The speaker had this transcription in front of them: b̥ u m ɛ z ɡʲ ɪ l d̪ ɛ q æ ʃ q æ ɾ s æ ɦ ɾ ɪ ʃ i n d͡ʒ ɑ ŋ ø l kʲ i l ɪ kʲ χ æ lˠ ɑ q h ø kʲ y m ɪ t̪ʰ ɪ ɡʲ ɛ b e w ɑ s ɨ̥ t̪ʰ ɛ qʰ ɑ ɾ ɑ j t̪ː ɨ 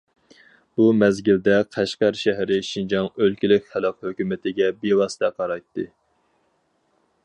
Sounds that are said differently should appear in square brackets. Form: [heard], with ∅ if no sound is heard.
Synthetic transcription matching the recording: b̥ u m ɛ z ɡʲ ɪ l d̪ ɛ [qʰ] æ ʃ q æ ɾ [ʃ] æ ɦ ɾ ɪ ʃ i n d͡ʒ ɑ ŋ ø l kʲ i l ɪ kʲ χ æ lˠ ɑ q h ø kʲ y m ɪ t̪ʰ ɪ ɡʲ ɛ b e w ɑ s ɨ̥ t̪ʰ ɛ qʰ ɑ ɾ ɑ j t̪ː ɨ